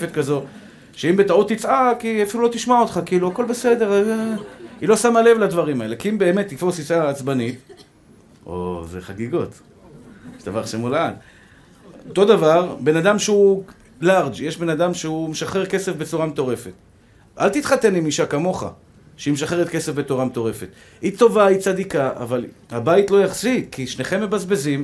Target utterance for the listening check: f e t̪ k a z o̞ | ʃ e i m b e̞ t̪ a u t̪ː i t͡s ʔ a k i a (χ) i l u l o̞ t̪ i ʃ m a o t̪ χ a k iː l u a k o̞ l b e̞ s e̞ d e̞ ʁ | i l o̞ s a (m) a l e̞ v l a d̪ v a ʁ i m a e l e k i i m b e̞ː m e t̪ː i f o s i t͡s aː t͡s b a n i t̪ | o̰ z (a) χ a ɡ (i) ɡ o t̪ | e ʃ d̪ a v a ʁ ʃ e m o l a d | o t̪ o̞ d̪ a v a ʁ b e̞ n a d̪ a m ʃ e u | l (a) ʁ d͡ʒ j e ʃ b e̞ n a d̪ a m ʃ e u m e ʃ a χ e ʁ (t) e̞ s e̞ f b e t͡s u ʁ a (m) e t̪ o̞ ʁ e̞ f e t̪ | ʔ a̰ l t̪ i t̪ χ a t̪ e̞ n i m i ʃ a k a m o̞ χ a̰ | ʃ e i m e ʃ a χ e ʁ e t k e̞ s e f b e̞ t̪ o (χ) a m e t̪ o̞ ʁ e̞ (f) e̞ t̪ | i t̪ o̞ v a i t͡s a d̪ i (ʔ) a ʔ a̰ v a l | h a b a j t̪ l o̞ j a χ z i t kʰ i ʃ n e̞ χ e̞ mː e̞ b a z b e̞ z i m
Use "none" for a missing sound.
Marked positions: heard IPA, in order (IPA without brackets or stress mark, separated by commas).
f, m, e, i, a, k, m, ʁ, f, k